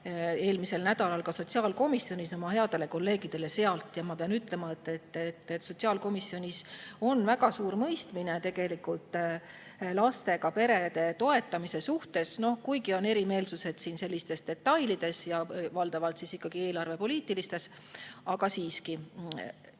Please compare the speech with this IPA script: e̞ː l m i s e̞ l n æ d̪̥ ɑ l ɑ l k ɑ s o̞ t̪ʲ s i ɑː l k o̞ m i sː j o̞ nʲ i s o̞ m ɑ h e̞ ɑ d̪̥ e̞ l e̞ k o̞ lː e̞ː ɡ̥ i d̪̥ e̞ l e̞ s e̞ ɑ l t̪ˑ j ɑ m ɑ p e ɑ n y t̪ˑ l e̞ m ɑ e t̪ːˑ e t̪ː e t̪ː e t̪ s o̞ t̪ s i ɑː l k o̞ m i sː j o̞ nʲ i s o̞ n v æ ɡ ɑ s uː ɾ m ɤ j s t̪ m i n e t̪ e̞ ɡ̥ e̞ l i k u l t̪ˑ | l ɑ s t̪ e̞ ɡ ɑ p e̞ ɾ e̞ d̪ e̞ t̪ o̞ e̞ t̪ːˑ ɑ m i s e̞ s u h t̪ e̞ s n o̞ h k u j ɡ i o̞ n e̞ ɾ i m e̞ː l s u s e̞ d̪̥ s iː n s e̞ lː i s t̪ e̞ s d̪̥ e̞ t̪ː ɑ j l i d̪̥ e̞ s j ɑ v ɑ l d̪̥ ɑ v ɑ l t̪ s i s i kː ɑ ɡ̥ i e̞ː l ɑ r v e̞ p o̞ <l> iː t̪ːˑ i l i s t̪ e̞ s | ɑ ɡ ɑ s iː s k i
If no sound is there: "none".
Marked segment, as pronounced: l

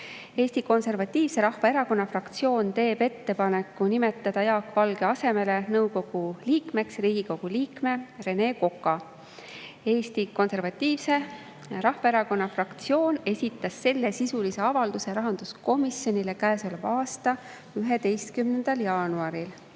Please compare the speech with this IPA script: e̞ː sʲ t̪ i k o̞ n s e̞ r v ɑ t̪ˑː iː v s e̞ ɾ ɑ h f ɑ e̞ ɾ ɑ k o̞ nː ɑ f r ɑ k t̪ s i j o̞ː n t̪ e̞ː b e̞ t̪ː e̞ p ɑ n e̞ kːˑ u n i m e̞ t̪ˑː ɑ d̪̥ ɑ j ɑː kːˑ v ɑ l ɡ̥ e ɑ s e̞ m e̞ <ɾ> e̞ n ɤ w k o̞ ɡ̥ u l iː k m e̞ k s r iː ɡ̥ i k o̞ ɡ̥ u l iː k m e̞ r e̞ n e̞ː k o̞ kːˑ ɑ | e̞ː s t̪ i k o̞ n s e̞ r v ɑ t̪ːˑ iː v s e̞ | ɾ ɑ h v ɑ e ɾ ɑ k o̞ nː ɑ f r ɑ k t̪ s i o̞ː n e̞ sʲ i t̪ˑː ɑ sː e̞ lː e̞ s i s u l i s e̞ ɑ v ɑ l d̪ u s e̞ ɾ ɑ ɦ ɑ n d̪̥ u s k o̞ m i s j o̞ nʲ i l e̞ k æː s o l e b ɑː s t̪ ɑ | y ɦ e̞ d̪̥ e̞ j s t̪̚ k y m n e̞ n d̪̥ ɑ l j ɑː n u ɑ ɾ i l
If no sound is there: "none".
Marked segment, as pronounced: l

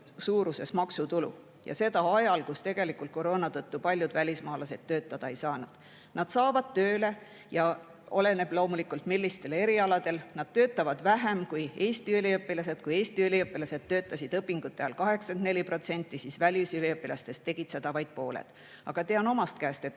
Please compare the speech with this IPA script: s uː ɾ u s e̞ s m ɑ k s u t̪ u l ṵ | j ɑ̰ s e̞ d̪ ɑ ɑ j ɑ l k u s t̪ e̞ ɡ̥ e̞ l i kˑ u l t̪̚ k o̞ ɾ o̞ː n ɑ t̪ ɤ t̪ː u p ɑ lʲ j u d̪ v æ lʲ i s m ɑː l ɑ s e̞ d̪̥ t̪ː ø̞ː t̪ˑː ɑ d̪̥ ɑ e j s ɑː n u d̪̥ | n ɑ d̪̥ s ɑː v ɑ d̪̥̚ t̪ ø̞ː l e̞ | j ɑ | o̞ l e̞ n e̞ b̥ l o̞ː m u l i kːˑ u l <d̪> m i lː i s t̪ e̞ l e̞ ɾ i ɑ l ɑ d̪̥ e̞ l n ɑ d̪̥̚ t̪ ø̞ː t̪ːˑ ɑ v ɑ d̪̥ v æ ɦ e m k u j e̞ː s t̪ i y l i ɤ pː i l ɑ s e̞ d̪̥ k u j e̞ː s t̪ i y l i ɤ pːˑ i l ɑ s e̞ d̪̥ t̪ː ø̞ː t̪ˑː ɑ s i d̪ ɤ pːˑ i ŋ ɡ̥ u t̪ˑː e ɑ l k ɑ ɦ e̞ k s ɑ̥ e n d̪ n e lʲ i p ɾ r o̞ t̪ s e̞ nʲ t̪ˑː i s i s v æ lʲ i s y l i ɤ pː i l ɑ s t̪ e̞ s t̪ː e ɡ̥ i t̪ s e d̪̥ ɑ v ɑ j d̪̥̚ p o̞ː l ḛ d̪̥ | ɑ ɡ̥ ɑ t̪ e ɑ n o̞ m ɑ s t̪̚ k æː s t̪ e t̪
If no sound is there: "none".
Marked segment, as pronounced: t̪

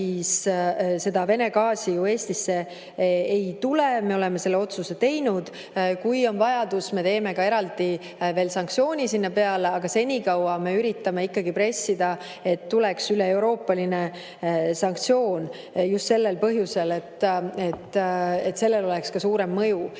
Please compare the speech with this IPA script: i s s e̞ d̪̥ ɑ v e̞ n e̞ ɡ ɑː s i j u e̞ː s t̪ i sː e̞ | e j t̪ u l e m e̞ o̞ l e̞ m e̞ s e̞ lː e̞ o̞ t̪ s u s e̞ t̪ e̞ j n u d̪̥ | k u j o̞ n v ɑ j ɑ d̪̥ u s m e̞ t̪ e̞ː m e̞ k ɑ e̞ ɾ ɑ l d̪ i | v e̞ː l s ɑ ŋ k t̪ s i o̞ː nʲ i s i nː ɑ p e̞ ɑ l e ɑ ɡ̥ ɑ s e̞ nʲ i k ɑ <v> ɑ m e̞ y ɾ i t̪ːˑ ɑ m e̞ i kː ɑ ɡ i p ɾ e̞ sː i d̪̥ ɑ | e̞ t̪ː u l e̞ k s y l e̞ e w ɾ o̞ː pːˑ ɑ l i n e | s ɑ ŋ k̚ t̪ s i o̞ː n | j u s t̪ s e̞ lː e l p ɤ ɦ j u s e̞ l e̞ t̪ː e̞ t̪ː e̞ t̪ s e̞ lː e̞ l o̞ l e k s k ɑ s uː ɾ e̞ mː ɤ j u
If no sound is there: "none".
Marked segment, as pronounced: w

